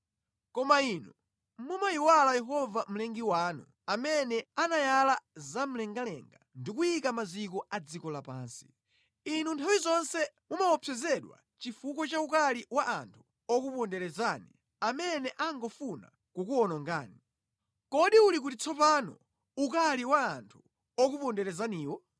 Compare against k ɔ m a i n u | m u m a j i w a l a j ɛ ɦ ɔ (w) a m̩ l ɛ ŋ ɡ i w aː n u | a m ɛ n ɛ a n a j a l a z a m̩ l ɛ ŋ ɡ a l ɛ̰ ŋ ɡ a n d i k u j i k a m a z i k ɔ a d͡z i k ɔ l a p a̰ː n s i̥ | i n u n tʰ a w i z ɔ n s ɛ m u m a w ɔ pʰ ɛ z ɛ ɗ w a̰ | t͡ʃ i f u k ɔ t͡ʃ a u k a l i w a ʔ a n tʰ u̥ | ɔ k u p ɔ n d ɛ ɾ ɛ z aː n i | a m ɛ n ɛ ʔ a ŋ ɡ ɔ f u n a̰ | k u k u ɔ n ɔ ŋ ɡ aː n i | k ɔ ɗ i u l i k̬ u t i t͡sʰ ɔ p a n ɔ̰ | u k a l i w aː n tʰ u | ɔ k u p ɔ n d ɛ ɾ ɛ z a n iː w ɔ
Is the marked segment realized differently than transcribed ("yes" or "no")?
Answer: yes